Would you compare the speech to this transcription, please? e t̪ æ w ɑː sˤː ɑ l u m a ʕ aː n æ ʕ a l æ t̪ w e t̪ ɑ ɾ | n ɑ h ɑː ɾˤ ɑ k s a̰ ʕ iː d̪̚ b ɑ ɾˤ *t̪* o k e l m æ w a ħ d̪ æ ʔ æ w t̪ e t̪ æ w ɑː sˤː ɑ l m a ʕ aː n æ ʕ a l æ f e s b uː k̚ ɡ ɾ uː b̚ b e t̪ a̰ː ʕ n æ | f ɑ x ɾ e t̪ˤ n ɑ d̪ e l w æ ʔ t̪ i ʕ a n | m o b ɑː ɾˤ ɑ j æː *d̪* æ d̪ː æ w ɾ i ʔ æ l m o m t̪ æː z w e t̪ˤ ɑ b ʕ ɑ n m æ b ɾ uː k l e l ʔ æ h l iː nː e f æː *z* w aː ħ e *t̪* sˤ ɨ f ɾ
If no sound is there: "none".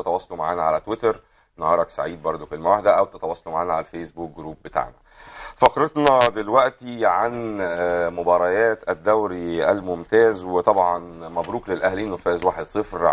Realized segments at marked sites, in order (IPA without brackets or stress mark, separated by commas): d̪, t̪, z, d̪